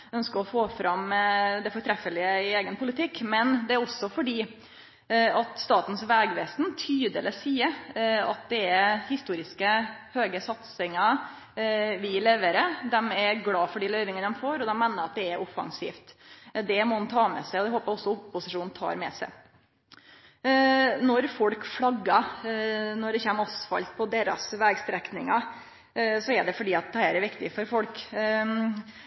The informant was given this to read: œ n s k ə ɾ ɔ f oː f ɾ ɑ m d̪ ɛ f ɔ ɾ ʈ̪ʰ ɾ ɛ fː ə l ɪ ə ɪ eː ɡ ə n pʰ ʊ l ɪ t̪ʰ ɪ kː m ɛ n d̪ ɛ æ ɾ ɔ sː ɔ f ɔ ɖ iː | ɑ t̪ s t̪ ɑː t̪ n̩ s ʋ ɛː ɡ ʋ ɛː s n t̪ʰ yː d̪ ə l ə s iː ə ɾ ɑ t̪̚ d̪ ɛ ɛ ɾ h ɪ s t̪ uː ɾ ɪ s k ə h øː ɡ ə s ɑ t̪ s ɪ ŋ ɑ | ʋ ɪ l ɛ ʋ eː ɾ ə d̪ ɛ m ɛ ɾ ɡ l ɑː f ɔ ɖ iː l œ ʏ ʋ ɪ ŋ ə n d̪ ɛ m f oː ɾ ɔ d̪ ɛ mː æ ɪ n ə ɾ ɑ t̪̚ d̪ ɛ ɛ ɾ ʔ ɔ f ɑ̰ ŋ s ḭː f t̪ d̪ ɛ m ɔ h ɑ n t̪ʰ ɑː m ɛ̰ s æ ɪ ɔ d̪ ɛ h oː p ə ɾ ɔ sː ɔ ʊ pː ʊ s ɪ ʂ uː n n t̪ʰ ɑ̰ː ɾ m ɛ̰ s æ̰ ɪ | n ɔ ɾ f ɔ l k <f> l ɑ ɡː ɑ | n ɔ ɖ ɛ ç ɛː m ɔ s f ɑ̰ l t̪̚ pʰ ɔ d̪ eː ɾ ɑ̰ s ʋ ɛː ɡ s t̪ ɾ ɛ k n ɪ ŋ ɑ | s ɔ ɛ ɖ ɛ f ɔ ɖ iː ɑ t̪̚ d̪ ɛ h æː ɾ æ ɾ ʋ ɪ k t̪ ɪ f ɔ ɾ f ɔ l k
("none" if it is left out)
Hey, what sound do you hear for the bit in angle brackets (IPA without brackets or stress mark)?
f